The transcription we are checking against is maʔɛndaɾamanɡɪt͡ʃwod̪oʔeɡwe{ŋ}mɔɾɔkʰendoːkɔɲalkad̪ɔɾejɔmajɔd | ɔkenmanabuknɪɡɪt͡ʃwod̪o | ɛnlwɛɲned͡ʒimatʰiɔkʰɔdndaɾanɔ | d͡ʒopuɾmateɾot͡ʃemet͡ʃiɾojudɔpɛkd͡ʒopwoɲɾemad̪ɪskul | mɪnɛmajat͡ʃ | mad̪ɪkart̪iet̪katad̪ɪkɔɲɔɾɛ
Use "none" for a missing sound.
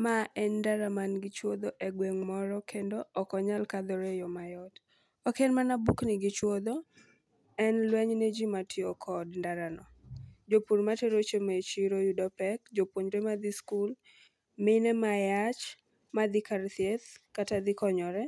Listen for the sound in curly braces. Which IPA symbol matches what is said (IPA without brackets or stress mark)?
ŋ